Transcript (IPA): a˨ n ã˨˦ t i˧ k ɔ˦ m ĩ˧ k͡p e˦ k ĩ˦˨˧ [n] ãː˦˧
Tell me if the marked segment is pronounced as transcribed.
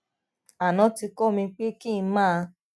no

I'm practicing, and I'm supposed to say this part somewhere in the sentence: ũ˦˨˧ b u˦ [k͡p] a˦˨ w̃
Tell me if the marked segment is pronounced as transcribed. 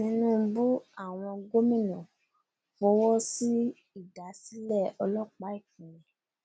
no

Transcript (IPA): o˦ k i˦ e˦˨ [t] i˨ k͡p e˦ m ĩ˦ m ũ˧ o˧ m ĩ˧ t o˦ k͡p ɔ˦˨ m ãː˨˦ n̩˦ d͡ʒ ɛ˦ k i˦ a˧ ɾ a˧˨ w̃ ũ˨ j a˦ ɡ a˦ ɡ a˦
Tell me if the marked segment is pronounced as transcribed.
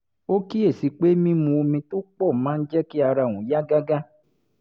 no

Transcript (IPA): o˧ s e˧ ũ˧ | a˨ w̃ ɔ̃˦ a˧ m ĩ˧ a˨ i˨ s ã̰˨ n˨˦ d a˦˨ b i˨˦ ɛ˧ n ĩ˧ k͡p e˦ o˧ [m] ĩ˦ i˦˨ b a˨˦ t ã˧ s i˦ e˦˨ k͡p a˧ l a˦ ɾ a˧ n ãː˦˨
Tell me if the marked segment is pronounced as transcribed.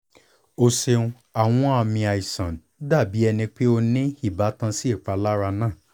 no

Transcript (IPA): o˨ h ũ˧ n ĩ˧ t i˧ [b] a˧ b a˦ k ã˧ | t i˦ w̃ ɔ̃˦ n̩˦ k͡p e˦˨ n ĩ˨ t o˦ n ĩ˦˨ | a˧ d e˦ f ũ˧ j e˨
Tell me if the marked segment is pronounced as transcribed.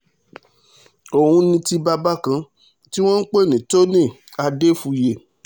yes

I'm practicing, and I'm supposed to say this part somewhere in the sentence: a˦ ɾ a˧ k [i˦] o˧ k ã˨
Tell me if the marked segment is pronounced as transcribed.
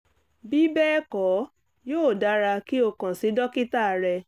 yes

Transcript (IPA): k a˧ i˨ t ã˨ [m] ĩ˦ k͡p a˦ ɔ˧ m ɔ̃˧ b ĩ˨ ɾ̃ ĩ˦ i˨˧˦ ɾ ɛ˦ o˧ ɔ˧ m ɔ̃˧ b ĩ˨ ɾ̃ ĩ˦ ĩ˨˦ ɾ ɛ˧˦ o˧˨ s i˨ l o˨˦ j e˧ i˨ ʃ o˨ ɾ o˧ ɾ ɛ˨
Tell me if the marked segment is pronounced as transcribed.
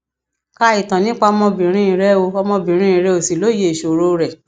no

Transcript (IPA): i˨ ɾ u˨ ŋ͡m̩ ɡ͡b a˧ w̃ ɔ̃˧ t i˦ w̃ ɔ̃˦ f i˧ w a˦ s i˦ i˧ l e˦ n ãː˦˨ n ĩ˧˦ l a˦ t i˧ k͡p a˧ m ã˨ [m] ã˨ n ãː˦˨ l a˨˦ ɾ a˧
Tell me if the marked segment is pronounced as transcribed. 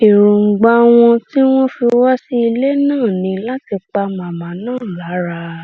yes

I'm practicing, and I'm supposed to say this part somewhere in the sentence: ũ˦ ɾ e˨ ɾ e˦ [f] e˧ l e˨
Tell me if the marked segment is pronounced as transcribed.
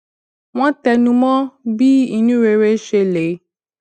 no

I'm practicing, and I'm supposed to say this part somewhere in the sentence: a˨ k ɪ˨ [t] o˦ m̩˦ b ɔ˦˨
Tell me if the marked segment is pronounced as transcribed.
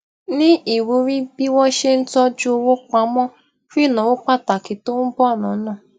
yes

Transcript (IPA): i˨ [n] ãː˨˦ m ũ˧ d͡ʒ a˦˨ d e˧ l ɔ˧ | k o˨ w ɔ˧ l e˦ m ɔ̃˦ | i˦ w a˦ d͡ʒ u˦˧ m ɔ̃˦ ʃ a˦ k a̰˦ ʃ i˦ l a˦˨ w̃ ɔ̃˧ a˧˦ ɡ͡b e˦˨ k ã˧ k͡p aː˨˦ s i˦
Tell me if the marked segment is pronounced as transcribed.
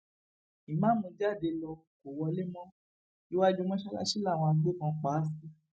no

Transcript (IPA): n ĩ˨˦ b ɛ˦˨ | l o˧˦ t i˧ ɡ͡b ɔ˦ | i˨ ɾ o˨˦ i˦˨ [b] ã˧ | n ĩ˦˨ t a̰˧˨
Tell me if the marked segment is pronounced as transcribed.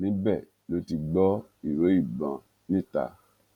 yes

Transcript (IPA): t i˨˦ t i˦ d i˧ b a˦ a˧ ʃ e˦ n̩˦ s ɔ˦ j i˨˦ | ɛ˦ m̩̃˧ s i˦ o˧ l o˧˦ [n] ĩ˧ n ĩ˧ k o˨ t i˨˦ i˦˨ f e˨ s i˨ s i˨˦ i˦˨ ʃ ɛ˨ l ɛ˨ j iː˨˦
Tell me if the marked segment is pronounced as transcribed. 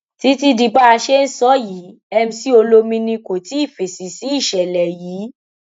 no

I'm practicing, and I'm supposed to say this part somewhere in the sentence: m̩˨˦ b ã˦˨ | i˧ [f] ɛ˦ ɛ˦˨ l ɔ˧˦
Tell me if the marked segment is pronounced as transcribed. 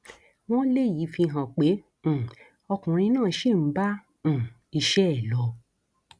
no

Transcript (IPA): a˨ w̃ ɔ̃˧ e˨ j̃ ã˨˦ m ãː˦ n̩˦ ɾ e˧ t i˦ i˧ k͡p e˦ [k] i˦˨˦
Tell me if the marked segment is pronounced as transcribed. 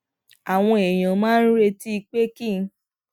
yes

